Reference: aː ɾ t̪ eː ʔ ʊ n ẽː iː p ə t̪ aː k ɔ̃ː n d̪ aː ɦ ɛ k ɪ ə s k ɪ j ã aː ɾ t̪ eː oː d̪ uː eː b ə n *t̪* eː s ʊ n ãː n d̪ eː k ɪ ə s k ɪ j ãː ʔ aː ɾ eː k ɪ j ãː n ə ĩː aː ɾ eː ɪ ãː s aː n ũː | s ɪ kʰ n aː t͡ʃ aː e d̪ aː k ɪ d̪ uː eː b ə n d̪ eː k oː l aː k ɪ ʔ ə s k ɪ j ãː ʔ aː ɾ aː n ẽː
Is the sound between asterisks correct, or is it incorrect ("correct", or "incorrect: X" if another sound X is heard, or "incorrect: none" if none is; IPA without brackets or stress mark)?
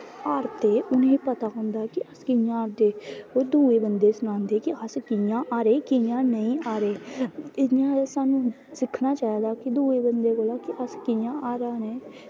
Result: incorrect: d̪